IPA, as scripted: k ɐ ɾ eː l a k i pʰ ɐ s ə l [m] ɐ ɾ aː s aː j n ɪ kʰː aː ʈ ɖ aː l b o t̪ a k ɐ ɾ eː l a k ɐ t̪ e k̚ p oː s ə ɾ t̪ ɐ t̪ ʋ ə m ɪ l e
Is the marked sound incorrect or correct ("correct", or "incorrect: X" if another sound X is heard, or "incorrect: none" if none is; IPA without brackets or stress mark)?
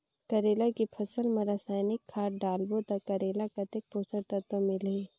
correct